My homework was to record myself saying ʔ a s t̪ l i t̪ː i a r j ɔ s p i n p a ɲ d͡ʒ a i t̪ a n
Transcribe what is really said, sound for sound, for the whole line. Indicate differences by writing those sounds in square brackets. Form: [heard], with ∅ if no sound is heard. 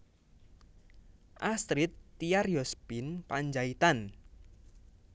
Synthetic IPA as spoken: ʔ a s t̪ [ɾ] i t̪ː i a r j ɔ s p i n p a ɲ d͡ʒ a i t̪ a n